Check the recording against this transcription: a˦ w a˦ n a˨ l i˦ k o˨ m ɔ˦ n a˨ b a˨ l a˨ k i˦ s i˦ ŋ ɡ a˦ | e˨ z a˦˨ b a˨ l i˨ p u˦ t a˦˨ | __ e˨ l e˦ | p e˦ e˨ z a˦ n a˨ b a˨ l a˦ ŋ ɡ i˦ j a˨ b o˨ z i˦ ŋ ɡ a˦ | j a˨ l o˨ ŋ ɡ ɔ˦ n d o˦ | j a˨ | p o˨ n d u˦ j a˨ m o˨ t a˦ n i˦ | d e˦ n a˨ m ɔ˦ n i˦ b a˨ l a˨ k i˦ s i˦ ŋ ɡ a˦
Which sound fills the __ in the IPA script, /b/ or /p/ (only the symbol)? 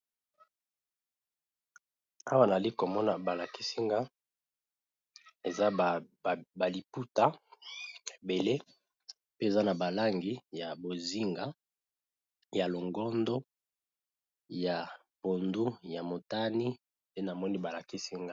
b